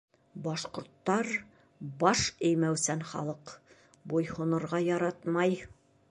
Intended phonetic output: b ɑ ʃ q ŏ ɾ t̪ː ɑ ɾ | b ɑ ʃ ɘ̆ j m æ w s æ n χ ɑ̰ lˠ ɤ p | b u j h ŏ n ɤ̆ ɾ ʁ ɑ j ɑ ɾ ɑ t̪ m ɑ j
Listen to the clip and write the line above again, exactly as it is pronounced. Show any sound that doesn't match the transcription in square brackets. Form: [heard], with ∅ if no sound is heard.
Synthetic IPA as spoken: b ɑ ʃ q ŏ ɾ t̪ː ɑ ɾ | b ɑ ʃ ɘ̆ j m æ w s æ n χ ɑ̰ lˠ ɤ [q] | b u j h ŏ n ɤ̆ ɾ ʁ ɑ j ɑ ɾ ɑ t̪ m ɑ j